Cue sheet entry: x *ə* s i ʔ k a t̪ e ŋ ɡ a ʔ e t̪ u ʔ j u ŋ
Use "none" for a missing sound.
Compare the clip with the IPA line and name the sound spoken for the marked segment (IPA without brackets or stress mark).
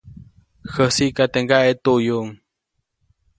ə